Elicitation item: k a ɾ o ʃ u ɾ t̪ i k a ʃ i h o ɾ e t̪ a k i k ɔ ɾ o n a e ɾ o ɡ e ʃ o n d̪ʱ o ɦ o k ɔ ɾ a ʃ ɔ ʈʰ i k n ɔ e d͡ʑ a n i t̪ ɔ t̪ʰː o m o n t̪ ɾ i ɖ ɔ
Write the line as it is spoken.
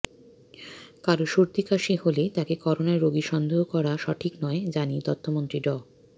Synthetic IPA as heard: k a ɾ o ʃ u ɾ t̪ i k a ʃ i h o l e t̪ a k e k ɔ ɾ o n a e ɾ o ɡ i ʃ ɔ n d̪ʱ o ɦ o k ɔ ɾ a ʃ ɔ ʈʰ i k n ɔ e d͡ʑ a n i t̪ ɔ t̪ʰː o m o n t̪ ɾ i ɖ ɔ